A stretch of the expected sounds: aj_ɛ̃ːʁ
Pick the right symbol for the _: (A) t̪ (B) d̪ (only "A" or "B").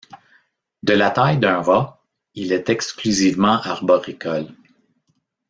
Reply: B